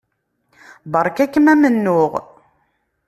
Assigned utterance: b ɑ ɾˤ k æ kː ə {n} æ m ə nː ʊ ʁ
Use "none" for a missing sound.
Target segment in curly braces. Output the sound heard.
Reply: m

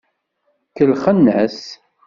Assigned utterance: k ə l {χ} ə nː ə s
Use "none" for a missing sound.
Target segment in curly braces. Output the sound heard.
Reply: χ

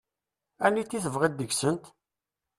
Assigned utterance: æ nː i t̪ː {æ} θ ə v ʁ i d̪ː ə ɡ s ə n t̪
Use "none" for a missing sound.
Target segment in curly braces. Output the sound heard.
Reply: i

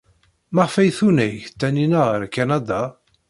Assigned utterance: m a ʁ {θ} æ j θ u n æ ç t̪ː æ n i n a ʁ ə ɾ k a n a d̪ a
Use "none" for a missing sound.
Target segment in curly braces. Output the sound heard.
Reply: f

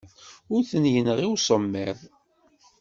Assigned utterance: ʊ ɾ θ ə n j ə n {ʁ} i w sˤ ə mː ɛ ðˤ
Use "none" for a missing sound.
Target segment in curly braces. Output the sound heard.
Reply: ʁ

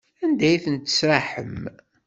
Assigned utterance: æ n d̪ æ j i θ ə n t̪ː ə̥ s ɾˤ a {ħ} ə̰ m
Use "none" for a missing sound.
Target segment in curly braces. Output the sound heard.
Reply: ħ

